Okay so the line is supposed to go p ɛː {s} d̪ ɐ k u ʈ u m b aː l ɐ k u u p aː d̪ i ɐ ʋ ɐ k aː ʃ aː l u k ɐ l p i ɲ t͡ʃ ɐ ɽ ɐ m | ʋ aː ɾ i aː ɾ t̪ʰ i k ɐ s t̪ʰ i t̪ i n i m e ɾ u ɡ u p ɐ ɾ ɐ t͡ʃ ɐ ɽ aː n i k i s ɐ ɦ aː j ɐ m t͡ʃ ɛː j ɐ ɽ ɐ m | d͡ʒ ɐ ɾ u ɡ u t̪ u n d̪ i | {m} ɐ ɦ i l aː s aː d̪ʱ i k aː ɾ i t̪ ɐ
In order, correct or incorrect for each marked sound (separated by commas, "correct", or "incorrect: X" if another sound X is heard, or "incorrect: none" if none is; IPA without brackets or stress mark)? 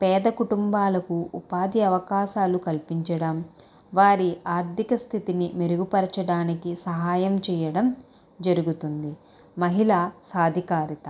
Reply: incorrect: none, correct